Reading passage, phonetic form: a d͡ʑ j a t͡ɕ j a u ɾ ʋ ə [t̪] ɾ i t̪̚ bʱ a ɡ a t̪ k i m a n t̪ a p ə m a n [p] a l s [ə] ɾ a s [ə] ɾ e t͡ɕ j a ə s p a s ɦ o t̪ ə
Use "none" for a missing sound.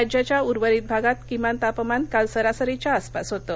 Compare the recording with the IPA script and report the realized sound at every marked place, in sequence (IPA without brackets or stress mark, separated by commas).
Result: none, k, ə, ə